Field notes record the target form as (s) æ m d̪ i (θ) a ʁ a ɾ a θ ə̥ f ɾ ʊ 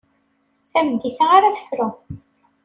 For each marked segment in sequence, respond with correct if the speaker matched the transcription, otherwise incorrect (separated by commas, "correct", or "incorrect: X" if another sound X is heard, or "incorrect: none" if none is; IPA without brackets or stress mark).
incorrect: θ, correct